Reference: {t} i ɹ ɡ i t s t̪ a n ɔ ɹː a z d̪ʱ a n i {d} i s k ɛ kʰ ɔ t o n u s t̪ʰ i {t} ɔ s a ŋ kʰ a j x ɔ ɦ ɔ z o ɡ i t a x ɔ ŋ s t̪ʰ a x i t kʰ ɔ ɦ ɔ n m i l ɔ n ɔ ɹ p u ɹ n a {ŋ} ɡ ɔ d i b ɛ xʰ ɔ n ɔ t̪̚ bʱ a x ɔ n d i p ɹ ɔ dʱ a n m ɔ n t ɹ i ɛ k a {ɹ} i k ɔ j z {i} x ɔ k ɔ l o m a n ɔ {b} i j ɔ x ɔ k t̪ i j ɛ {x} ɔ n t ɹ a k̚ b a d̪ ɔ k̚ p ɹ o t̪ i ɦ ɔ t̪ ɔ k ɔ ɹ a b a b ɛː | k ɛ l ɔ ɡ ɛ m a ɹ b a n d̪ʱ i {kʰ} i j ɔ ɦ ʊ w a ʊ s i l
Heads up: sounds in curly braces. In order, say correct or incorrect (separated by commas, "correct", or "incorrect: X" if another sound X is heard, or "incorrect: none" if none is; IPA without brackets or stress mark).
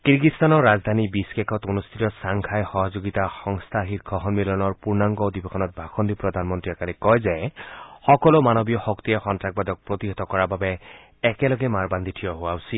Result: incorrect: k, incorrect: b, correct, correct, incorrect: l, incorrect: ɛ, correct, correct, incorrect: tʰ